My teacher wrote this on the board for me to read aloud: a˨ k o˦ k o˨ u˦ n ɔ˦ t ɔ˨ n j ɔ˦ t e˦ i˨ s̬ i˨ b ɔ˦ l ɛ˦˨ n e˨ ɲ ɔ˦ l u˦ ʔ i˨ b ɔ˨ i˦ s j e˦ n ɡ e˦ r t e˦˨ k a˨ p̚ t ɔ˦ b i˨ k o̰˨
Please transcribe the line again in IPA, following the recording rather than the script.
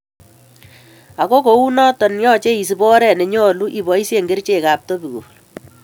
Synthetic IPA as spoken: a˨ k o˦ k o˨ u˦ n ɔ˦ t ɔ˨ n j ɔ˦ t͡ʃ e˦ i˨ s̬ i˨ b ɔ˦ ɾ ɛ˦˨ n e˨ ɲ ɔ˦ l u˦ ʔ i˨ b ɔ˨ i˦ s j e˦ ŋ ɡ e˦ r t͡ʃ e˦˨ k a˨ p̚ t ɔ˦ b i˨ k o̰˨